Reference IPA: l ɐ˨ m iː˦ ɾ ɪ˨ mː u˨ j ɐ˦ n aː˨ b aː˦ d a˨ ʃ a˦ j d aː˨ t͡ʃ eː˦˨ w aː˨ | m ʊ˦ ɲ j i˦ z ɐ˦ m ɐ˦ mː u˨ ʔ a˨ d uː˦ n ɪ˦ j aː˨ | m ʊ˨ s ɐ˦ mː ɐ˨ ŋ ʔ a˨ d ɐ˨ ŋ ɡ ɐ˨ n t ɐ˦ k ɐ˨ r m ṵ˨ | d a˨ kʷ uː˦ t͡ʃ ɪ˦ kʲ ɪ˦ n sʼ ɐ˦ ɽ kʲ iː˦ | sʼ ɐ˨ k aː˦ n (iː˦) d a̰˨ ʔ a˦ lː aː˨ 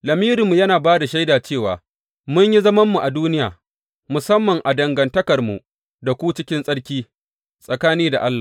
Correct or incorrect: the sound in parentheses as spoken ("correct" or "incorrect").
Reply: correct